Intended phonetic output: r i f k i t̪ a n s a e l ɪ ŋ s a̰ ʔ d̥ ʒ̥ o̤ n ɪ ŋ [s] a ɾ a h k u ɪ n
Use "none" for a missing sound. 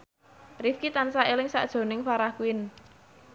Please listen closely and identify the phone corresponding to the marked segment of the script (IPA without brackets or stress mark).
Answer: f